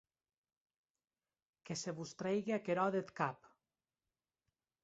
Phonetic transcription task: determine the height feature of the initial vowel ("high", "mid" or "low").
mid